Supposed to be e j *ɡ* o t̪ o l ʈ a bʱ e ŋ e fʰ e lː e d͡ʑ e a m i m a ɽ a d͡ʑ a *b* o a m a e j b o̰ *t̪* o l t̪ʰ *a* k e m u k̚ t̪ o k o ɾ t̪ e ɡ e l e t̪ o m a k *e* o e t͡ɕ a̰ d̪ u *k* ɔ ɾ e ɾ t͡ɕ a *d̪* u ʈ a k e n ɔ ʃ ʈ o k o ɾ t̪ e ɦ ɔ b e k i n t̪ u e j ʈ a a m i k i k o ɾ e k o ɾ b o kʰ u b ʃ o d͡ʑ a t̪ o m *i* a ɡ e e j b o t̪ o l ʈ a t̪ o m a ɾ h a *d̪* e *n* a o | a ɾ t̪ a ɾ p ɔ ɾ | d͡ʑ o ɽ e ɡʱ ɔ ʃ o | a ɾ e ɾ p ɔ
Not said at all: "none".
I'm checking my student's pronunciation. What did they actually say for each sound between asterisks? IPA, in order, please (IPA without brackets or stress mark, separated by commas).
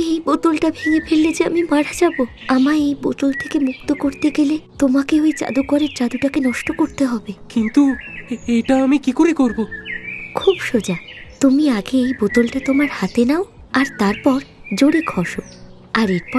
b, b, t̪, e, e, k, d̪, i, t̪, n